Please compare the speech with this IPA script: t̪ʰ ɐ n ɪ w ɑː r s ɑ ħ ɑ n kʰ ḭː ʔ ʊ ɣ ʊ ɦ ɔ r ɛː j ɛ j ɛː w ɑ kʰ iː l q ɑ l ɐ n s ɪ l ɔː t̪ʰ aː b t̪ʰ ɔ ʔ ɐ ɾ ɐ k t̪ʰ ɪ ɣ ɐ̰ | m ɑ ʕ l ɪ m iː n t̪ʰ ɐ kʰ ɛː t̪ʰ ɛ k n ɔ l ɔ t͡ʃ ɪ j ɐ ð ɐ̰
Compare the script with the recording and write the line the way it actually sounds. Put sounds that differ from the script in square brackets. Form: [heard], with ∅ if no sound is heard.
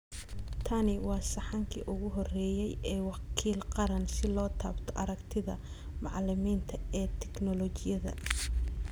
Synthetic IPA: t̪ʰ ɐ n ɪ w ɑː [∅] s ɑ ħ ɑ [ŋ] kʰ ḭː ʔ ʊ ɣ ʊ ɦ ɔ r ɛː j ɛ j ɛː w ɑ kʰ iː l q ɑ [ɾ] ɐ n s ɪ l ɔː t̪ʰ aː b t̪ʰ ɔ ʔ ɐ ɾ ɐ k t̪ʰ ɪ [ð] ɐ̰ | m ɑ ʕ l ɪ m iː n t̪ʰ ɐ [∅] ɛː t̪ʰ ɛ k n ɔ l ɔ t͡ʃ ɪ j ɐ ð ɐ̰